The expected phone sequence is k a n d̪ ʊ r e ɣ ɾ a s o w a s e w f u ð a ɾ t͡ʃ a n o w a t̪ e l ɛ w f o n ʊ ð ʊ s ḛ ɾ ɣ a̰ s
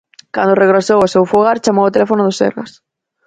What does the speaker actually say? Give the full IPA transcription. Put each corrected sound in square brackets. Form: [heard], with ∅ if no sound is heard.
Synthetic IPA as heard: k a n d̪ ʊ r e ɣ ɾ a s o w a s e w f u [ɣ] a ɾ t͡ʃ a [m] o w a t̪ e l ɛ [∅] f o n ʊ ð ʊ s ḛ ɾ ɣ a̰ s